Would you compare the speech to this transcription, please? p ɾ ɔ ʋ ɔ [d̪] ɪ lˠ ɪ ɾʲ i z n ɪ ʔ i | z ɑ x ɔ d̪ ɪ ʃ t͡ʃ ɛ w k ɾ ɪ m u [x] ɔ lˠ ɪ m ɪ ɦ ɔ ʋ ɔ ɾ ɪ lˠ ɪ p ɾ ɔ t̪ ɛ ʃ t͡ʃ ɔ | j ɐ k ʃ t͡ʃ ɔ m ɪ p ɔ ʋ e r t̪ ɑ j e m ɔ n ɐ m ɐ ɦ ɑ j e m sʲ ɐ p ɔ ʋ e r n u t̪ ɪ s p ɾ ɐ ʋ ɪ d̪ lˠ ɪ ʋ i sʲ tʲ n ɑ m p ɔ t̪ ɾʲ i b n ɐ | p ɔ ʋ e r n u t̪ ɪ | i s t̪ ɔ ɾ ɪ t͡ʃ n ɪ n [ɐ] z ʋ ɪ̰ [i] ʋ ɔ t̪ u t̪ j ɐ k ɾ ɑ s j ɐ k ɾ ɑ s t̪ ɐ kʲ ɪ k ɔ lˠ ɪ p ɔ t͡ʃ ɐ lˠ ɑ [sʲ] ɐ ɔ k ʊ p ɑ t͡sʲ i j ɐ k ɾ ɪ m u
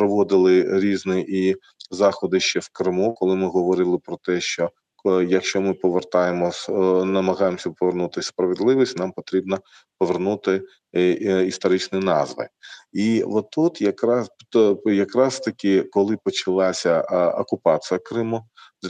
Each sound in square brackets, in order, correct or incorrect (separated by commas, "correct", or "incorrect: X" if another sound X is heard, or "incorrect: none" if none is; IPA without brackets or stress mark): correct, incorrect: k, incorrect: ɑ, correct, correct